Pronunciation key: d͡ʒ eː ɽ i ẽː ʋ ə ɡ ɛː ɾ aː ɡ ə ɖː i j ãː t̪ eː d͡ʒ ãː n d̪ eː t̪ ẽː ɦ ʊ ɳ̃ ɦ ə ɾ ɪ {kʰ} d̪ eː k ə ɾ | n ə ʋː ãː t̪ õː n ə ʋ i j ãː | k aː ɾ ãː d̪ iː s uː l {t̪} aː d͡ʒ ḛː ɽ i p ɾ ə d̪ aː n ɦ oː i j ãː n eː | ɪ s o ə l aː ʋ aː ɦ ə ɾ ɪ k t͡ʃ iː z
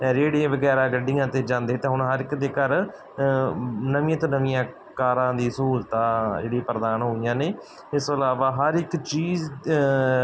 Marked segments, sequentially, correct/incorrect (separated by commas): incorrect, correct